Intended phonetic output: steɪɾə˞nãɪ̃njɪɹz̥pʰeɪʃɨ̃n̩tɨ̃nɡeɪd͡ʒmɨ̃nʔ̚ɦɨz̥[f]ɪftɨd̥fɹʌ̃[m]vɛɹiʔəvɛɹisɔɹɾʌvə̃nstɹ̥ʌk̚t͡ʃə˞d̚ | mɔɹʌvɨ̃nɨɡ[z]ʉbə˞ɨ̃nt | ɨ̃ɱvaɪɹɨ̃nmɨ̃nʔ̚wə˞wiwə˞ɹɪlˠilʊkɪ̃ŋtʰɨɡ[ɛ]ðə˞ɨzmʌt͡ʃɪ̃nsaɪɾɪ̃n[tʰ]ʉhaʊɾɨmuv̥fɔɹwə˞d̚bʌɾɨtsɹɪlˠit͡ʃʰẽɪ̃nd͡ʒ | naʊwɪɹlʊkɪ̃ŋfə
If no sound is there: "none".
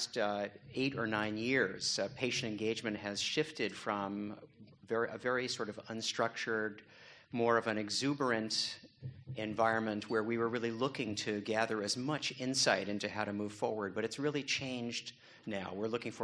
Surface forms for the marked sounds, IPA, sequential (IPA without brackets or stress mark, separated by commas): ʃ, m, z, æ, t